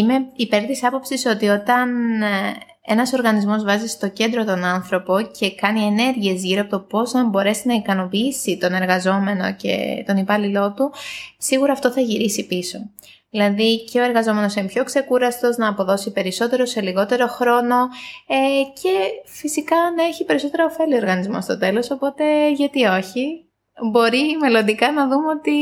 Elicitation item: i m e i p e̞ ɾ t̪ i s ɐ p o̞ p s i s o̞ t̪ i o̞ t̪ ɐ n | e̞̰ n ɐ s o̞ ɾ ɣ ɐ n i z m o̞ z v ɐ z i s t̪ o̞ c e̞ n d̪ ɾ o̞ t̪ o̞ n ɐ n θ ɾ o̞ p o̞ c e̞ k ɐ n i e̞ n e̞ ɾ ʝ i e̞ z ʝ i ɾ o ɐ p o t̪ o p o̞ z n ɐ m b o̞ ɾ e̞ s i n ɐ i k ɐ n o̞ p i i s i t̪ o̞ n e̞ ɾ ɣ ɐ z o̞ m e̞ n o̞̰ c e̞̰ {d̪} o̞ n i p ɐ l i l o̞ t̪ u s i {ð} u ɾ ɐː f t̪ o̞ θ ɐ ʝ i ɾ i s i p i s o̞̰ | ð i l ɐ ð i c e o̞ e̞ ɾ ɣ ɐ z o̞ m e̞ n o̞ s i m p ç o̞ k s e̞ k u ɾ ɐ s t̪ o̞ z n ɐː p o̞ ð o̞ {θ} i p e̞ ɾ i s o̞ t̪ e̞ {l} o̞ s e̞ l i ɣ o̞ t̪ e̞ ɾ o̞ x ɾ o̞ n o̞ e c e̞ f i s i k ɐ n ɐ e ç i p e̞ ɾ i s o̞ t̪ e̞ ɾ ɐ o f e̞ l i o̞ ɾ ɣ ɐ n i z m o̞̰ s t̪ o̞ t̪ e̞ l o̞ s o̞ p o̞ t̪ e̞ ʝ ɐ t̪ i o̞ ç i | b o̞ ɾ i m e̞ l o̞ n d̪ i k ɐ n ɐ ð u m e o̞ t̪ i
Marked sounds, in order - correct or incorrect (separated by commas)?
incorrect, incorrect, incorrect, incorrect